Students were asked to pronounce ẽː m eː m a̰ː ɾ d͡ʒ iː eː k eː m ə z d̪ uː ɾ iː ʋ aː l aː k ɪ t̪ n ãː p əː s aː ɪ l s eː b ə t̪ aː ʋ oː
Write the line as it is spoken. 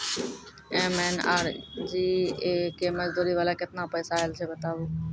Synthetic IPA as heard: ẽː m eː n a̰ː ɾ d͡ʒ iː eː k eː m ə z d̪ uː ɾ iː ʋ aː l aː k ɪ t̪ n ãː p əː s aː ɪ l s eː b ə t̪ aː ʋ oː

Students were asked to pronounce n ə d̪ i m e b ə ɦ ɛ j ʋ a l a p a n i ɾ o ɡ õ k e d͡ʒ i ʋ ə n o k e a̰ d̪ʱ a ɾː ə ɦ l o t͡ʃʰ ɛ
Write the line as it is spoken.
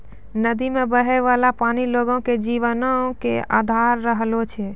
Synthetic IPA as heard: n ə d̪ i m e b ə ɦ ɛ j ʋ a l a p a n i l o ɡ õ k e d͡ʒ i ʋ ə n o k e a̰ d̪ʱ a ɾː ə ɦ l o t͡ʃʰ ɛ

